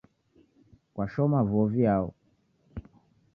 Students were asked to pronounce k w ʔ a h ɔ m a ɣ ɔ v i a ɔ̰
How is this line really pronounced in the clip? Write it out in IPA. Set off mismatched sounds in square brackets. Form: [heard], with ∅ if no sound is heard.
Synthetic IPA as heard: k w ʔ a [ʃ] ɔ m a [v] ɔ v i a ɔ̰